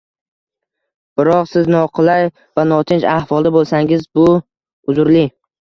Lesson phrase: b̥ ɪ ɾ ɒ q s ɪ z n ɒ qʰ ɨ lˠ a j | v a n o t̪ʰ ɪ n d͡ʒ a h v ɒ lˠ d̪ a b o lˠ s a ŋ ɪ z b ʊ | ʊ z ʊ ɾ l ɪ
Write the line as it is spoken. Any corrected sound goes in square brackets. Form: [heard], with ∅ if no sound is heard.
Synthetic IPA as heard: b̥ ɪ ɾ ɒ q s ɪ z n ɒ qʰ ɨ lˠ a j | v a n [ɒ] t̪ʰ ɪ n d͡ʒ a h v ɒ lˠ d̪ a b o lˠ s a ŋ ɪ z b ʊ | ʊ z ʊ ɾ l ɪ